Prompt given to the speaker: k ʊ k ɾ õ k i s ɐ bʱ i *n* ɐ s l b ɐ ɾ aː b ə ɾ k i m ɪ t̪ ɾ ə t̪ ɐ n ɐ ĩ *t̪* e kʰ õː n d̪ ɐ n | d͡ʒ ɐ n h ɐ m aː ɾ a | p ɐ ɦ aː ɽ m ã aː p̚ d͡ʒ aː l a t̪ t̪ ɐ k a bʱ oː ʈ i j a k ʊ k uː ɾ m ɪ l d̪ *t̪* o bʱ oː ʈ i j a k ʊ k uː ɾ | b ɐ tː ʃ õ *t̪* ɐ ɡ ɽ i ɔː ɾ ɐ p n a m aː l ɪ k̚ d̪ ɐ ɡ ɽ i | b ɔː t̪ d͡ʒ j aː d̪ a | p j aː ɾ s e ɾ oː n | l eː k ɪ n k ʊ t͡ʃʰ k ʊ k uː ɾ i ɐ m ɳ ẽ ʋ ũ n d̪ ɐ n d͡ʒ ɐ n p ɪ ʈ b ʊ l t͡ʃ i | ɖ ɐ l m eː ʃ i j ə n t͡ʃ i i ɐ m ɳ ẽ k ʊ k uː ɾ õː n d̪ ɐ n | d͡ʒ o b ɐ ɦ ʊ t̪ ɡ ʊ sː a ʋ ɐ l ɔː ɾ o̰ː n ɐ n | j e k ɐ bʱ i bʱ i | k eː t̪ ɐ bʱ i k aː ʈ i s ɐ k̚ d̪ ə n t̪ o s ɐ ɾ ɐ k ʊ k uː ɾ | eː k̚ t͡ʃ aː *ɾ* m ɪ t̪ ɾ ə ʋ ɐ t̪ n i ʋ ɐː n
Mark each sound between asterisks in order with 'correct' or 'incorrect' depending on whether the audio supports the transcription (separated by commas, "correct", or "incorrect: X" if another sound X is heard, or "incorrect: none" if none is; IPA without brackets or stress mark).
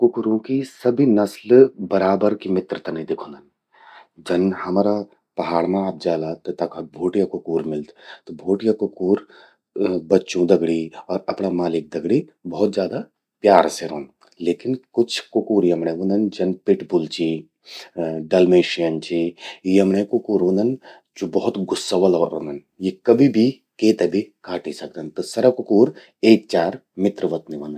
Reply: correct, incorrect: d̪, correct, incorrect: d̪, correct